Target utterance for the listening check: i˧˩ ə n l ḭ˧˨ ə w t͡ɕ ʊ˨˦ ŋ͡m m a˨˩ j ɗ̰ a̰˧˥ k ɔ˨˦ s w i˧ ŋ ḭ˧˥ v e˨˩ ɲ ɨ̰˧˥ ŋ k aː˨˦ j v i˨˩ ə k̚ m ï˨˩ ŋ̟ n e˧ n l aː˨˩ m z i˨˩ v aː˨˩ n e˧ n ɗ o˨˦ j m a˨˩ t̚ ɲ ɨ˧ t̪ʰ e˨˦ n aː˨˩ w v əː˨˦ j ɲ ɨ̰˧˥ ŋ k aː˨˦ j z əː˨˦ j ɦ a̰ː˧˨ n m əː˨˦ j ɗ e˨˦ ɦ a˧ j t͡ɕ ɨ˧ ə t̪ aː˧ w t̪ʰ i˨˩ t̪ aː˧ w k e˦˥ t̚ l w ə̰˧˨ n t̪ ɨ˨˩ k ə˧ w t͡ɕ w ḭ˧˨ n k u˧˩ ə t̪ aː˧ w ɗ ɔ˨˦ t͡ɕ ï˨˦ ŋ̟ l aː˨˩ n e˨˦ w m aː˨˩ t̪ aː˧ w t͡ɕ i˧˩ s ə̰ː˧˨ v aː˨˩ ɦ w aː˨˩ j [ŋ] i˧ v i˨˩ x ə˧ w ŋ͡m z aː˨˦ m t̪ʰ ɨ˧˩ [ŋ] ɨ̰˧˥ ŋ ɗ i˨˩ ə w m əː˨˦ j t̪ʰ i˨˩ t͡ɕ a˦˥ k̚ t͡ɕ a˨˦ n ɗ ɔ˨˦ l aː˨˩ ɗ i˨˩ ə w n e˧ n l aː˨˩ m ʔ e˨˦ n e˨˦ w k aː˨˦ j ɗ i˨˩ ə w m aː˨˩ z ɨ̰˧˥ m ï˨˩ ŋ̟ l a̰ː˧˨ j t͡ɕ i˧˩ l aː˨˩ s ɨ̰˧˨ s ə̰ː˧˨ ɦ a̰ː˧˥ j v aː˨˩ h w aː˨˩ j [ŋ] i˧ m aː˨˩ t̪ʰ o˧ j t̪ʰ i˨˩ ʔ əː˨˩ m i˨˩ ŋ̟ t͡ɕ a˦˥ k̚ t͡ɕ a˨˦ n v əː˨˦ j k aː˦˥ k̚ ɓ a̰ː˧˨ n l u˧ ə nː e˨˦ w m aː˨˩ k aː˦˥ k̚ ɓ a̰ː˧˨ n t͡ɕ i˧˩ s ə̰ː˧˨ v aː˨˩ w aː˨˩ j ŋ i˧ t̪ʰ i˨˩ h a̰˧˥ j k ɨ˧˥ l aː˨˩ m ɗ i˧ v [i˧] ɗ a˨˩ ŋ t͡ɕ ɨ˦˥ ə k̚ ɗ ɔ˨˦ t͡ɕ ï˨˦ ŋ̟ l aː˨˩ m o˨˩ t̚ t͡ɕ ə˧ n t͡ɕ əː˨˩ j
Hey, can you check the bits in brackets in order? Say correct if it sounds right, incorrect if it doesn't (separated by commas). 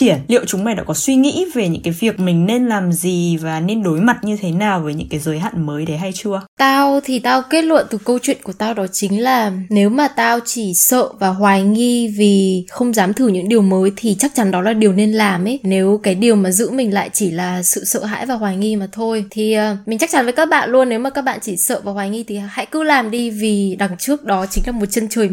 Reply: correct, incorrect, correct, incorrect